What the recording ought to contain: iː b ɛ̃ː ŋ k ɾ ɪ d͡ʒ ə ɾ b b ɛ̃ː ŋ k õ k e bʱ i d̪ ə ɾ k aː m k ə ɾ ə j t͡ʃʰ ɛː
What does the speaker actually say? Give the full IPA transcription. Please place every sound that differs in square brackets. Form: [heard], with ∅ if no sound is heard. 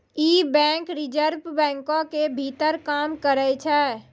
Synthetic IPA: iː b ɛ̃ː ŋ k ɾ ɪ d͡ʒ ə ɾ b b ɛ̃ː ŋ k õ k e bʱ i [t̪] ə ɾ k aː m k ə ɾ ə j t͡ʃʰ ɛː